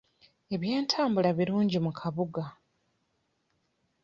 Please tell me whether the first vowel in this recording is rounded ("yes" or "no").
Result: no